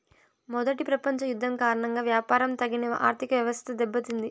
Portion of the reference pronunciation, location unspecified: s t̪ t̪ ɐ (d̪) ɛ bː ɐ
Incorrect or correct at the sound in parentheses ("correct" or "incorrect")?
correct